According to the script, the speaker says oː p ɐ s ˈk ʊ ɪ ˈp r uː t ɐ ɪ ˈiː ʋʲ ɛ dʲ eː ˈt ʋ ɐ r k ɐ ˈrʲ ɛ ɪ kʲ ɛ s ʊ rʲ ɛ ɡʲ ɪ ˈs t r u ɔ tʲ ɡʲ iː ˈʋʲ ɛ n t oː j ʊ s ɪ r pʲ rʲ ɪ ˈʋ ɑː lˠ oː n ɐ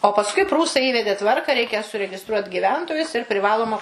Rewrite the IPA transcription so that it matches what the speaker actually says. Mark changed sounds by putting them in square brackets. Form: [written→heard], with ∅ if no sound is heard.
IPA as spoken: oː p ɐ s ˈk ʊ ɪ ˈp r uː [t→s] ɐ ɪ ˈiː ʋʲ ɛ dʲ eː ˈt ʋ ɐ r k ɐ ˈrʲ ɛ ɪ kʲ ɛ s ʊ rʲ ɛ ɡʲ ɪ ˈs t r u ɔ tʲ ɡʲ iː ˈʋʲ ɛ n t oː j ʊ s ɪ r pʲ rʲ ɪ ˈʋ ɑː lˠ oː [n→m] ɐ